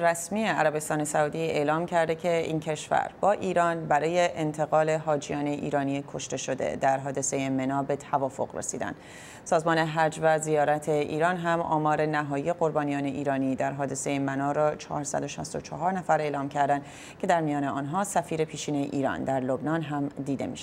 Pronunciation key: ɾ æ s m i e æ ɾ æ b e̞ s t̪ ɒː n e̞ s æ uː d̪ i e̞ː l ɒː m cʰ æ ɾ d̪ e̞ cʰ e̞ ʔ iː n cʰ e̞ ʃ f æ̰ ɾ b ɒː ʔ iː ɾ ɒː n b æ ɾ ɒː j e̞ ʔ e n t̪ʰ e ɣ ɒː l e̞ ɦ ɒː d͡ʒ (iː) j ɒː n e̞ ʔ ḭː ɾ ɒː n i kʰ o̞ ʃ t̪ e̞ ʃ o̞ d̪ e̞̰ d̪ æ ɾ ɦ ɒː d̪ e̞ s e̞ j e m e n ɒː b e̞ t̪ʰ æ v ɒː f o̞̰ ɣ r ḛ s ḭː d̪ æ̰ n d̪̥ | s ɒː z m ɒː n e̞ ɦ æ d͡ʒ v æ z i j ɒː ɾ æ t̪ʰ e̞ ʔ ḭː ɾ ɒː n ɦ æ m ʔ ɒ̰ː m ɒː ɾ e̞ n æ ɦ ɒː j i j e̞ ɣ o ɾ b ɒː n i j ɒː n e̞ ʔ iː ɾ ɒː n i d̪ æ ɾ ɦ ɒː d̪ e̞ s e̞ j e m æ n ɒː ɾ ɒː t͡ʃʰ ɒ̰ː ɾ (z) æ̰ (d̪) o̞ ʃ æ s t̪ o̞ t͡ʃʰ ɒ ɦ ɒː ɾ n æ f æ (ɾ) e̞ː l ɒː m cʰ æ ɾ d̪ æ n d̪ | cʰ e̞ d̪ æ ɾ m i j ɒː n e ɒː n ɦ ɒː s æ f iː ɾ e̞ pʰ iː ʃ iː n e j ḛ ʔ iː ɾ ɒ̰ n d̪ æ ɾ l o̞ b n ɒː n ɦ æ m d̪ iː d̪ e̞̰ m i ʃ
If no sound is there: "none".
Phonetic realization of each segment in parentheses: i, s, d̪, ɾ

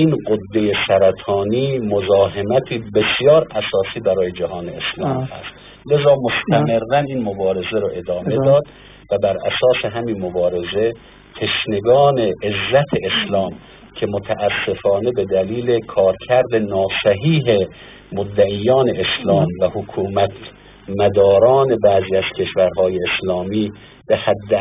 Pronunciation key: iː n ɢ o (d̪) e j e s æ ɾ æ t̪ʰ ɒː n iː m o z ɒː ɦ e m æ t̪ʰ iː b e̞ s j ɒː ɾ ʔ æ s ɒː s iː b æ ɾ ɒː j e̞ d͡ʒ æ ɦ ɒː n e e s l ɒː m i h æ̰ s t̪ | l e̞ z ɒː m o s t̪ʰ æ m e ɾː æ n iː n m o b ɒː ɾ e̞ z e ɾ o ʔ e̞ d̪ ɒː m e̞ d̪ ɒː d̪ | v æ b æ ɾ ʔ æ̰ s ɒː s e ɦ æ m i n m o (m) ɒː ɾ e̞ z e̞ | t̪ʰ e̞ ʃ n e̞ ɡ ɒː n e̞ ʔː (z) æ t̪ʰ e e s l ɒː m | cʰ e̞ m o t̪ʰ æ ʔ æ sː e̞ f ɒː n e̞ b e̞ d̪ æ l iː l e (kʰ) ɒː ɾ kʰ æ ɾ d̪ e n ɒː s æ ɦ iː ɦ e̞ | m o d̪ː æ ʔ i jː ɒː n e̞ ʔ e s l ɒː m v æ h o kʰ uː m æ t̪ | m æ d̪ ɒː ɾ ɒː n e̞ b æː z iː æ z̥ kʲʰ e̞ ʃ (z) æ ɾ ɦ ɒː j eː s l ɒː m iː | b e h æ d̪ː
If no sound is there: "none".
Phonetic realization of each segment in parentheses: d̪ː, b, zː, kʰ, v

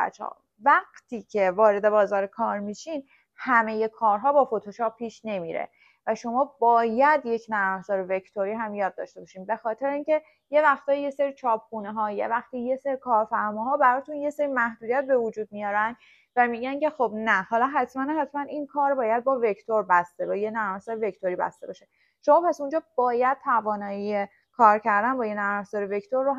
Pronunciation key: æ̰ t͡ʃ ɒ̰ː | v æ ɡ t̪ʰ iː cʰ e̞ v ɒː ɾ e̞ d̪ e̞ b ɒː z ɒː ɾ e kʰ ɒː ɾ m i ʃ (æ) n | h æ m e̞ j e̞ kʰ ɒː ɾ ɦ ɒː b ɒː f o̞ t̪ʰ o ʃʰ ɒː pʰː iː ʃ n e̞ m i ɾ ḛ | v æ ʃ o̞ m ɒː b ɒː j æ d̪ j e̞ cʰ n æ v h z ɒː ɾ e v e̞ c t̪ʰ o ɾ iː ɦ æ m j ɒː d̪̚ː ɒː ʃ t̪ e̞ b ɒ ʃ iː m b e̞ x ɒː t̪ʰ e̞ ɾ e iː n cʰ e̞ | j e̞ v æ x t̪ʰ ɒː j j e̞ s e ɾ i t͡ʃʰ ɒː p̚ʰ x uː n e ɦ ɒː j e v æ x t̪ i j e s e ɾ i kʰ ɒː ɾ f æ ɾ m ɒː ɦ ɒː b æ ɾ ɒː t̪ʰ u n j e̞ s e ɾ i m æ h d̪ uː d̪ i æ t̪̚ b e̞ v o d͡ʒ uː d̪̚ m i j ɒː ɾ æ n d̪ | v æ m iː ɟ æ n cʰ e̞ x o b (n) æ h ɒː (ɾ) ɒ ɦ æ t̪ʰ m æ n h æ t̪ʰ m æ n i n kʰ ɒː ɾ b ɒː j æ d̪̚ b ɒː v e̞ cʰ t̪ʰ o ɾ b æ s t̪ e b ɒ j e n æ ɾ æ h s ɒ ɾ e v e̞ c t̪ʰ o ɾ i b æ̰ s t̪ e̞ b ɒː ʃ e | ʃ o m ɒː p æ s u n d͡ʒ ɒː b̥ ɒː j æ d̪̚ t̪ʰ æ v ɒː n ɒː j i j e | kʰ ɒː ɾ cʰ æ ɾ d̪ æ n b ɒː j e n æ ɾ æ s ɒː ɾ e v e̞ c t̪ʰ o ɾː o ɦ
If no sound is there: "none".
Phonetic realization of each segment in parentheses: i, n, l

